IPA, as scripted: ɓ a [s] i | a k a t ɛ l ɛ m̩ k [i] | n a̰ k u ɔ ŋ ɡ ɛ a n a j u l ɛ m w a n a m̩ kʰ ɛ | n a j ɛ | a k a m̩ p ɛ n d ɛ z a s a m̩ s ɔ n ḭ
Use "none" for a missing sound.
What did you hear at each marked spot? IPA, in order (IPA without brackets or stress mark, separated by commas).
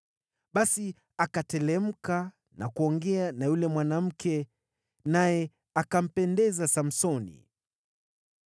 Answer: s, a